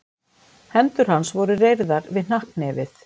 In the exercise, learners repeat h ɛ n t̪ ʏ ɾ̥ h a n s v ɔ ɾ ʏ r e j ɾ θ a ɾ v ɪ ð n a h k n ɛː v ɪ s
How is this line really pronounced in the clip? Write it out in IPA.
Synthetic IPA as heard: h ɛ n t̪ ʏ ɾ̥ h a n s v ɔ ɾ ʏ r e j ɾ ð a ɾ v ɪ ð n a h k n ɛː v ɪ θ